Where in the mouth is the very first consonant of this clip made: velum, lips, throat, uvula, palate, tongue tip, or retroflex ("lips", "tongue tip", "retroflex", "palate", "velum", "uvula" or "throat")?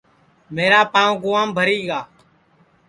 lips